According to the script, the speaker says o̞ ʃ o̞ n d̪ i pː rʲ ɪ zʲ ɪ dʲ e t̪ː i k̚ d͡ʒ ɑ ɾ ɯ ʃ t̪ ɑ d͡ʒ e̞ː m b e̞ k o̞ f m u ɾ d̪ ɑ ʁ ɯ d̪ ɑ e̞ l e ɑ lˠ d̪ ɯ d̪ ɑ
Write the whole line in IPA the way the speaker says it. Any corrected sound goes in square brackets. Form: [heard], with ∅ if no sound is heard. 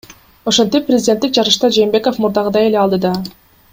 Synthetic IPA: o̞ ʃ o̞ n [t̪] i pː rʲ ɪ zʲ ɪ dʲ e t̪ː i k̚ d͡ʒ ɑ ɾ ɯ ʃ t̪ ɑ d͡ʒ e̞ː m b e̞ k o̞ f m u ɾ d̪ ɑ ʁ ɯ d̪ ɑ e̞ l e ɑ lˠ d̪ ɯ d̪ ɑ